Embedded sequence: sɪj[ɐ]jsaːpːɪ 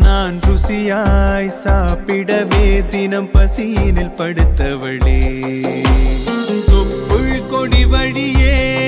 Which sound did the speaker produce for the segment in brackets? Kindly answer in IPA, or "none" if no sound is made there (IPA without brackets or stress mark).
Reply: a